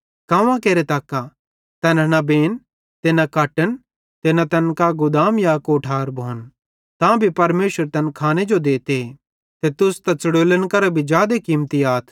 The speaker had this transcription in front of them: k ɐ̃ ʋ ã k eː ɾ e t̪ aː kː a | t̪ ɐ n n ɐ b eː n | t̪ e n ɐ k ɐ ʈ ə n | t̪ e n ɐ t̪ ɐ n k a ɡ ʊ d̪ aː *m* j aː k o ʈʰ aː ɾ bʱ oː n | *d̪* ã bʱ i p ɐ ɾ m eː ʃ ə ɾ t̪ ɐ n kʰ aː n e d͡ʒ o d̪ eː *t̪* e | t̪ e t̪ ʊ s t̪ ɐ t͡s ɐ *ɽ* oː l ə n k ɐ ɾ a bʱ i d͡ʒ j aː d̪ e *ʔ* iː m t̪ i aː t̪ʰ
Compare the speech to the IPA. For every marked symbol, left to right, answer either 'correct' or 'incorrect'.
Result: correct, incorrect, correct, correct, incorrect

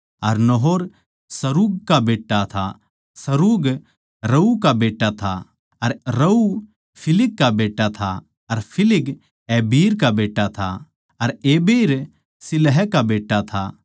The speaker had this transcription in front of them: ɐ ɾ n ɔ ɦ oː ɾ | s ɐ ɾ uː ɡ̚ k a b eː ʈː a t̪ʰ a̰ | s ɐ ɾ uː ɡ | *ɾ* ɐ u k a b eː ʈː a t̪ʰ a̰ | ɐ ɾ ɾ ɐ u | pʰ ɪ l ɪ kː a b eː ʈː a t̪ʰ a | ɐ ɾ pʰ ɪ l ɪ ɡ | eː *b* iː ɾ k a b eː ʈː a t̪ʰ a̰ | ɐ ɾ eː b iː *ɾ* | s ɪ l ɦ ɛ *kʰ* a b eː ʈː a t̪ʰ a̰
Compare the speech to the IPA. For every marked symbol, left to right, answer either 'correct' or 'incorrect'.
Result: correct, correct, correct, incorrect

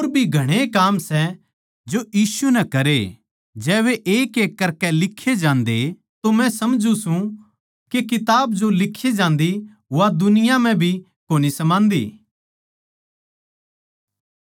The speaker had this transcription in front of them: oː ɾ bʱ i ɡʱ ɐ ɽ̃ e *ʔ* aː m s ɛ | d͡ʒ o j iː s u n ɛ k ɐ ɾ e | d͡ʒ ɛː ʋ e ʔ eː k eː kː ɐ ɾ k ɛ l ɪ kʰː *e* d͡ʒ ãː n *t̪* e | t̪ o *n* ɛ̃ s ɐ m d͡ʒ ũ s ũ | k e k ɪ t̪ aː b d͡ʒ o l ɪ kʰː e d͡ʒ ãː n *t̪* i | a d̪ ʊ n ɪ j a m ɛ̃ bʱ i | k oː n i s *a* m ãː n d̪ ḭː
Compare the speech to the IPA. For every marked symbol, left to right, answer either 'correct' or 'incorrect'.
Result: incorrect, correct, incorrect, incorrect, incorrect, incorrect

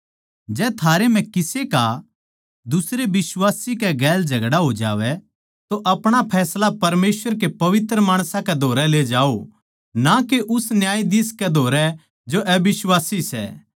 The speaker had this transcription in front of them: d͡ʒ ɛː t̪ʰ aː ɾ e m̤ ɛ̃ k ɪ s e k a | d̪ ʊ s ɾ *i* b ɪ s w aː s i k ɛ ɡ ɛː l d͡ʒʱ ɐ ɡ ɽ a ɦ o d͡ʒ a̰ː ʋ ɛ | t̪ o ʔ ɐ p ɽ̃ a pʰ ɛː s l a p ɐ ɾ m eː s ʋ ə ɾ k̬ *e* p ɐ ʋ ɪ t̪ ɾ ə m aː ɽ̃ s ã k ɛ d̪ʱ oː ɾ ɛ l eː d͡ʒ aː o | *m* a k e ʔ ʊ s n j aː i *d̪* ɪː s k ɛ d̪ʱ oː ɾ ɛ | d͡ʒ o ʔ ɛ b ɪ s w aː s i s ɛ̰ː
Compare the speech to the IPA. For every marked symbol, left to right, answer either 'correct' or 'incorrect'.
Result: incorrect, correct, incorrect, correct

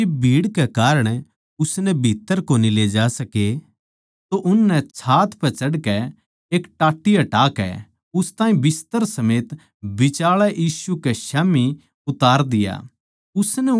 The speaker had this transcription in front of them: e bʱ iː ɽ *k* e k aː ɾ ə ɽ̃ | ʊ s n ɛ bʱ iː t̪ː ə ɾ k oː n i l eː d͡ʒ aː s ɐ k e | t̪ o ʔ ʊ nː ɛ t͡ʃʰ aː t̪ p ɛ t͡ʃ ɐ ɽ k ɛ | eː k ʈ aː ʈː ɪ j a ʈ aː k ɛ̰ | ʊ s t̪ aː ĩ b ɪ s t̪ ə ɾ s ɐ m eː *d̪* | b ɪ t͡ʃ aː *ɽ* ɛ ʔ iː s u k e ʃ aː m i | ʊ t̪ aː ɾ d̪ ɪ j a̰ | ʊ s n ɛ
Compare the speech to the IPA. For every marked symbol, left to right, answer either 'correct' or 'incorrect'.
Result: correct, incorrect, incorrect

